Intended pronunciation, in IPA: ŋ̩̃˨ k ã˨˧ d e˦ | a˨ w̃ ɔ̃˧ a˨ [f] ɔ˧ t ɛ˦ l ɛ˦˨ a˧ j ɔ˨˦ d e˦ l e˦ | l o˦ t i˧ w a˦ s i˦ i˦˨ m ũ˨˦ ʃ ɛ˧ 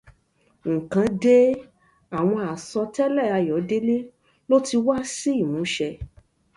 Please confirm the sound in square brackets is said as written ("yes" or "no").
no